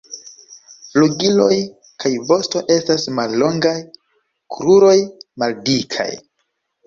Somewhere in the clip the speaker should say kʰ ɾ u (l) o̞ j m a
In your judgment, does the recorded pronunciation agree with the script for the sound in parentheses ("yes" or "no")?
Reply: no